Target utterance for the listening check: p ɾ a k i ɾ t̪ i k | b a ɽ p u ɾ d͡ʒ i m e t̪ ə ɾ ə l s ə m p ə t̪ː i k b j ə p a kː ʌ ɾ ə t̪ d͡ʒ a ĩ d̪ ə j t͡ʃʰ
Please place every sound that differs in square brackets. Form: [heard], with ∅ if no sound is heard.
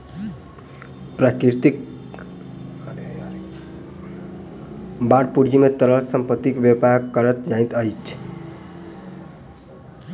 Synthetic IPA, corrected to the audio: p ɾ a k i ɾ t̪ i k | b a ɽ p u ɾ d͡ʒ i m e t̪ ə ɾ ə l s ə m p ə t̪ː i k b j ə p a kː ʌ ɾ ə t̪ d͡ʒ a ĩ [t̪] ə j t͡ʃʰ